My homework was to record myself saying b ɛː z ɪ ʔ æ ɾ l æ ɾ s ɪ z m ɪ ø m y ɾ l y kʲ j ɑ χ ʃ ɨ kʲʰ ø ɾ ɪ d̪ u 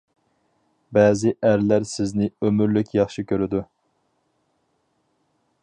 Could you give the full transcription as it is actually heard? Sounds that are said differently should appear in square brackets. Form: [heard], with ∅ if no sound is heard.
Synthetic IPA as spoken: b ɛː z ɪ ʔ æ ɾ l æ ɾ s ɪ z [n] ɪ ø m y ɾ l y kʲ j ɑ χ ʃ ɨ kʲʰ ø ɾ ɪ d̪ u